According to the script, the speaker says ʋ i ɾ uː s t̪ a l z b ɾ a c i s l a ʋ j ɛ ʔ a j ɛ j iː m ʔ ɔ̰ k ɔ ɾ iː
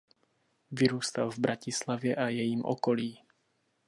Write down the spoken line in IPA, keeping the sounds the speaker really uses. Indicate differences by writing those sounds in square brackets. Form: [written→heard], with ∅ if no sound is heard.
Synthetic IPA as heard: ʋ i ɾ uː s t̪ a l [z→v] b ɾ a c i s l a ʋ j ɛ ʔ a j ɛ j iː m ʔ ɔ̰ k ɔ [ɾ→l] iː